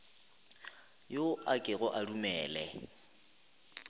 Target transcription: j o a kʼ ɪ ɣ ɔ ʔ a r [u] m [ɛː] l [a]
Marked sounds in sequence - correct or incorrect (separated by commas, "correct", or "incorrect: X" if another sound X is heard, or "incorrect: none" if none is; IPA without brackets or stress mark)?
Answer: correct, correct, incorrect: ɛ